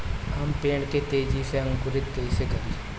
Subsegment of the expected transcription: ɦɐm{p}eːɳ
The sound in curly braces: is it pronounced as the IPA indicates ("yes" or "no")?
yes